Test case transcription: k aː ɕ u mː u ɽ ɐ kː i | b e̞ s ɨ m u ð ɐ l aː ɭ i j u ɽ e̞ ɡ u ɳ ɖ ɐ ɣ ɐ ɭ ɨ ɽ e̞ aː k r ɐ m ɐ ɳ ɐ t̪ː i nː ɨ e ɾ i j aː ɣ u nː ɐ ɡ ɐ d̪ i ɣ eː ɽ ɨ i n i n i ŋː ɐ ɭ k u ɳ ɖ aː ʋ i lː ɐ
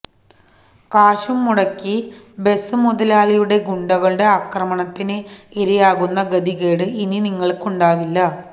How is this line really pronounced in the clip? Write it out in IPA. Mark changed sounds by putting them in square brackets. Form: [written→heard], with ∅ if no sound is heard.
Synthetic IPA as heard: k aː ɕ u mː u ɽ ɐ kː i | b e̞ s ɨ m u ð ɐ l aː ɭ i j u ɽ e̞ ɡ u ɳ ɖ ɐ ɣ ɐ ɭ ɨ ɽ e̞ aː k r ɐ m ɐ ɳ ɐ t̪ː i [nː→n] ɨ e ɾ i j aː ɣ u nː ɐ ɡ ɐ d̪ i ɣ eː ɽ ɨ i n i n i ŋː ɐ ɭ k u ɳ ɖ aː ʋ i lː ɐ